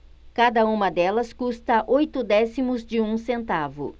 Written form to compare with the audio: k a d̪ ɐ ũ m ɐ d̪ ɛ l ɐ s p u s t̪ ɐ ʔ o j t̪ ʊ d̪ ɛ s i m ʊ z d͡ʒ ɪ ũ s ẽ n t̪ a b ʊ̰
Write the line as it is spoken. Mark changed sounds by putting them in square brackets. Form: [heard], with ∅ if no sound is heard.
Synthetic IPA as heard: k a d̪ ɐ ũ m ɐ d̪ ɛ l ɐ s [k] u s t̪ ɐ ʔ o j t̪ ʊ d̪ ɛ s i m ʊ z d͡ʒ ɪ ũ s ẽ n t̪ a [v] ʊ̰